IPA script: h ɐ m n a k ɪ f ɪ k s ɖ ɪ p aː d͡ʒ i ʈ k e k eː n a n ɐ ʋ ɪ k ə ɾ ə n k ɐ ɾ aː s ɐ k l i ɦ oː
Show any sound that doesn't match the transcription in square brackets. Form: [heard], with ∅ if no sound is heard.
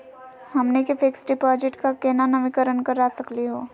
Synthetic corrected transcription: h ɐ m n [e] k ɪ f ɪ k s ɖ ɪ p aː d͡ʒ [ɪ] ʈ k [a] k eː n a n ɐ ʋ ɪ k ə ɾ ə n k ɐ ɾ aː s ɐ k l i ɦ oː